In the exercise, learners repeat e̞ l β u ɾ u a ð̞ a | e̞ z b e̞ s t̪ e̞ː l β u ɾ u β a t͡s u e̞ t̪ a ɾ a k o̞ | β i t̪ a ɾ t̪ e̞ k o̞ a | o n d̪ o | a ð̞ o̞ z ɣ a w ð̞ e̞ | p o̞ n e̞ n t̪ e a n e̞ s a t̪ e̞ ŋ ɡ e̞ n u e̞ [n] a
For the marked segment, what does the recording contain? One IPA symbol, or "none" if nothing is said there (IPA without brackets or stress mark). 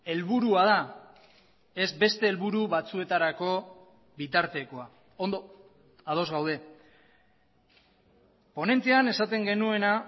n